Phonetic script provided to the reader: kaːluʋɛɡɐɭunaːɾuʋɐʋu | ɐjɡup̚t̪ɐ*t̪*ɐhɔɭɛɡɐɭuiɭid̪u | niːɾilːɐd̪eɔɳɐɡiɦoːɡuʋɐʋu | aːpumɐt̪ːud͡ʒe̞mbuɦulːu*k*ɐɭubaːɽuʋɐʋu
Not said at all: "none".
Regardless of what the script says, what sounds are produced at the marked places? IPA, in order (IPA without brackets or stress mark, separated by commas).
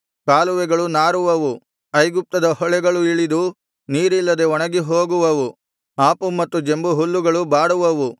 d̪, ɡ